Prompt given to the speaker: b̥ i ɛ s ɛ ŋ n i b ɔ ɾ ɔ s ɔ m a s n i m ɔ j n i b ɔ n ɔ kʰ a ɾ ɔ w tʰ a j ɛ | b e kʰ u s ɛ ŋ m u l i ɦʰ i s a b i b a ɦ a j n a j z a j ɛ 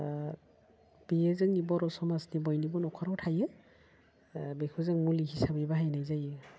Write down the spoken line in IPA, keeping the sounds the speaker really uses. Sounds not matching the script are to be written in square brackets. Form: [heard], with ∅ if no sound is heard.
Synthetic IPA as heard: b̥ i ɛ [z] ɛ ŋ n i b ɔ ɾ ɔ s ɔ m a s n i [b] ɔ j n i b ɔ n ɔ kʰ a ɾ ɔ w tʰ a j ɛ | b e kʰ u [z] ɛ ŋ m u l i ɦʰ i s a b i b a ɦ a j n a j z a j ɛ